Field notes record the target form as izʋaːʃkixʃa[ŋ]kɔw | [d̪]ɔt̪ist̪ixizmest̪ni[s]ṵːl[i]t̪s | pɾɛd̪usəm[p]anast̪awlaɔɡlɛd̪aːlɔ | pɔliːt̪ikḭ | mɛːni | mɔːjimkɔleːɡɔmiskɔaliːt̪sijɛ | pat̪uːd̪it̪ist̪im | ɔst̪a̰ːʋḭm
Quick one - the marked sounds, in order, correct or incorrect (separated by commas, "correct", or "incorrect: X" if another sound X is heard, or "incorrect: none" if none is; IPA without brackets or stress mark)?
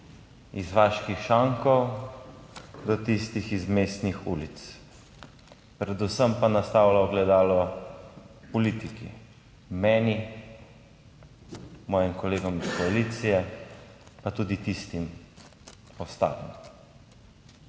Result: correct, correct, incorrect: x, correct, correct